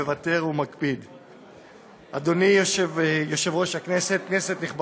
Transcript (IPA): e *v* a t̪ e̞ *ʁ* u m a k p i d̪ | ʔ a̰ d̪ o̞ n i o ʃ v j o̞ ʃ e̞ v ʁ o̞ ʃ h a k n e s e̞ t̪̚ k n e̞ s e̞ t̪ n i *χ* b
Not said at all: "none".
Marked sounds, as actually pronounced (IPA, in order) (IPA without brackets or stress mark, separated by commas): v, ʁ, χ